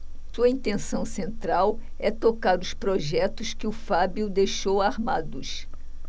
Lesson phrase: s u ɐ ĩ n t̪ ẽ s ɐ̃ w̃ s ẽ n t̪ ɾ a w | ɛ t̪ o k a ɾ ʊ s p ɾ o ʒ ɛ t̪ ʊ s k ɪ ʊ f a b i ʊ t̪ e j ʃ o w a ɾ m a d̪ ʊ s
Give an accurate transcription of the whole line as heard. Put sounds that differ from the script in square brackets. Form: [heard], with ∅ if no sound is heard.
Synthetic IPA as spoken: s u ɐ ĩ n t̪ ẽ s ɐ̃ w̃ s ẽ n t̪ ɾ a w | ɛ t̪ o k a ɾ ʊ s p ɾ o ʒ ɛ t̪ ʊ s k ɪ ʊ f a b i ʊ [d̪] e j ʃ o w a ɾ m a d̪ ʊ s